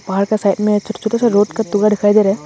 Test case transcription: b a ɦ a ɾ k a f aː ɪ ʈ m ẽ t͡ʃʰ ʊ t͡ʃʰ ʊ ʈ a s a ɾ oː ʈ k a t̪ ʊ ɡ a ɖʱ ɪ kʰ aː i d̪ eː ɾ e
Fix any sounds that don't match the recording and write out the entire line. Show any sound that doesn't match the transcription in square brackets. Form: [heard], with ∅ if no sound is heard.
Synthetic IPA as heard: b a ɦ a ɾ k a [s] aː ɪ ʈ m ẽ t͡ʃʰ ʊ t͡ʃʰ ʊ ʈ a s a ɾ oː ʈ k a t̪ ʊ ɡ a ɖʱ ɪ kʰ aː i d̪ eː ɾ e